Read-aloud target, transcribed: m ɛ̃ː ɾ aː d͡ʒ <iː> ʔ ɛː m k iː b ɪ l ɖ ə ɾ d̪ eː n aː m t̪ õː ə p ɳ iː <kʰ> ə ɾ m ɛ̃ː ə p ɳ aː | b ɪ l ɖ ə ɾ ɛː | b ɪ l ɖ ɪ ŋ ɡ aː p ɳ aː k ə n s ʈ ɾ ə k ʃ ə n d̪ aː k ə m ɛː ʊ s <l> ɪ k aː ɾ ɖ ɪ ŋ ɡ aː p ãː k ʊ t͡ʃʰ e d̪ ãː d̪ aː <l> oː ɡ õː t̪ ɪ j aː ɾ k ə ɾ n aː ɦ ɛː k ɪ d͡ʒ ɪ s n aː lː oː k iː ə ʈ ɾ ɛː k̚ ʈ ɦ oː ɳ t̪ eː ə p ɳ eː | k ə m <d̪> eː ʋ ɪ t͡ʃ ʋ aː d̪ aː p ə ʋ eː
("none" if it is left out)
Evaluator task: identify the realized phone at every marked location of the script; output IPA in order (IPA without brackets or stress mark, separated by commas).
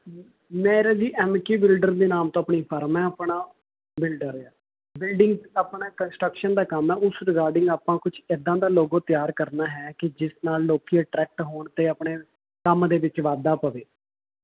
iː, pʰ, ɾ, l, d̪